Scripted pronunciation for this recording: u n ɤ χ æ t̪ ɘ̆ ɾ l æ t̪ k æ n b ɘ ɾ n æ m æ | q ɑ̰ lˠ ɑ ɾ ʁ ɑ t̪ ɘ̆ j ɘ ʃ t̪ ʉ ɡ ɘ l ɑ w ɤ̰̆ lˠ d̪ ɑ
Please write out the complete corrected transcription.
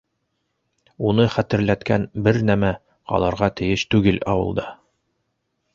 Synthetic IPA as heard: u n ɤ χ æ t̪ ɘ̆ ɾ l æ t̪ k æ n b ɘ ɾ n æ m æ | q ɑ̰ lˠ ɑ ɾ ʁ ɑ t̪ ɘ̆ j ɘ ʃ t̪ ʉ ɡ ɘ l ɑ w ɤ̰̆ lˠ d̪ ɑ